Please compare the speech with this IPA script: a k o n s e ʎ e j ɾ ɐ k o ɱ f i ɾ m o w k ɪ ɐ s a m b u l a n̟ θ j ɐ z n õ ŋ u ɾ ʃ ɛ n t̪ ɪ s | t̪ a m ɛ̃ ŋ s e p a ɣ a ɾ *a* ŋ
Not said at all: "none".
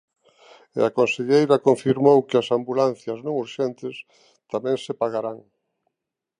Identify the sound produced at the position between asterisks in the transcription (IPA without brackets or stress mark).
a